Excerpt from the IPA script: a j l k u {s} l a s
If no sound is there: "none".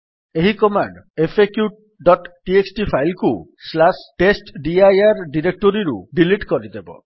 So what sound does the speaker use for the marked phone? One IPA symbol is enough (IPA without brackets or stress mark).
s